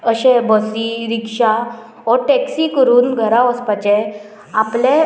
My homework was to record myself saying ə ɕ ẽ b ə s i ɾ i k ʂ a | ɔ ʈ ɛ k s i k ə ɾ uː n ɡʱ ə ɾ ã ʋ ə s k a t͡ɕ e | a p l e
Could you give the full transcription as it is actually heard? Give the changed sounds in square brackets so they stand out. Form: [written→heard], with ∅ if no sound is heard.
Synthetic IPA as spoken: ə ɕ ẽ b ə s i ɾ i k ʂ a | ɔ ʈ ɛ k s i k ə ɾ uː n ɡʱ ə ɾ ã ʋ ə s [k→p] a t͡ɕ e | a p l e